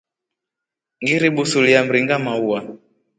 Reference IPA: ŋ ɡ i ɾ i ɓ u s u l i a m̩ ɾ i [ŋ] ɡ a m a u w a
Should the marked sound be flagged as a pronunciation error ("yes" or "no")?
no